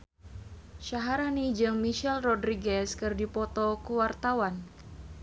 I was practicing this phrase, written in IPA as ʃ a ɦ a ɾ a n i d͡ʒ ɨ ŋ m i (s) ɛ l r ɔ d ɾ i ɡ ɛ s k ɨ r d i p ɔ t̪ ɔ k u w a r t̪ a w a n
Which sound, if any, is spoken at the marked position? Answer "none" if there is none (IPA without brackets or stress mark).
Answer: ʃ